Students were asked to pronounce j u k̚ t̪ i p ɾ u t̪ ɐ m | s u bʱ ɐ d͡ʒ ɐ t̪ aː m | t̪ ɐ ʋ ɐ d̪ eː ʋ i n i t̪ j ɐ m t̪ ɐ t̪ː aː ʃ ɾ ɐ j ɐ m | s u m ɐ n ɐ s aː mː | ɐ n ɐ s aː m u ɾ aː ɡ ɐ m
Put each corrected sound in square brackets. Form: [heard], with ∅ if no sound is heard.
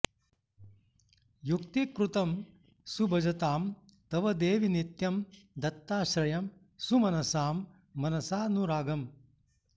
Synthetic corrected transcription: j u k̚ t̪ i [k] ɾ u t̪ ɐ m | s u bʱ ɐ d͡ʒ ɐ t̪ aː m | t̪ ɐ ʋ ɐ d̪ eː ʋ i n i t̪ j ɐ m [d̪] ɐ t̪ː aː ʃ ɾ ɐ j ɐ m | s u m ɐ n ɐ s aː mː | ɐ n ɐ s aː [n] u ɾ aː ɡ ɐ m